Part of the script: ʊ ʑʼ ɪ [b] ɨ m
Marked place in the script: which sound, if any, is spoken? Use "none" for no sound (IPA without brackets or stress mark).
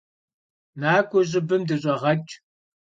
b